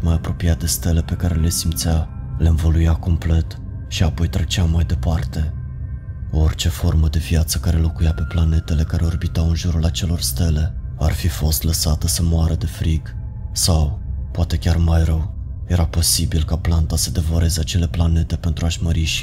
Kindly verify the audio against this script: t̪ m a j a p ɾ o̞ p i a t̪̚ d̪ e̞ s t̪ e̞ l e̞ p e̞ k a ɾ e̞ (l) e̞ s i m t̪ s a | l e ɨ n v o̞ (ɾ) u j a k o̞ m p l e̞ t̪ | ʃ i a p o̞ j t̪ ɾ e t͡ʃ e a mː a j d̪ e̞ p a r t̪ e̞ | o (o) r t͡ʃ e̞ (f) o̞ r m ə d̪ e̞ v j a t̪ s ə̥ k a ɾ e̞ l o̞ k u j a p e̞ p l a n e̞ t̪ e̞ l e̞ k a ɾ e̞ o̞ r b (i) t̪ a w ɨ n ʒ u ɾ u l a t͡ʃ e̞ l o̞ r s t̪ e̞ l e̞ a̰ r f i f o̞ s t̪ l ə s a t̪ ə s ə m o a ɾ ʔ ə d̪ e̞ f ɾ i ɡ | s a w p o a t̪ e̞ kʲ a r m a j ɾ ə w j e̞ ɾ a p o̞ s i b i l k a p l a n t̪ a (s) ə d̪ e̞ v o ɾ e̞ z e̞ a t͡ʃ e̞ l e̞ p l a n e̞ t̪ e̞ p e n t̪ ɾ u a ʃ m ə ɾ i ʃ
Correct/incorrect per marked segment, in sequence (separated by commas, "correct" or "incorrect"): correct, incorrect, correct, correct, correct, correct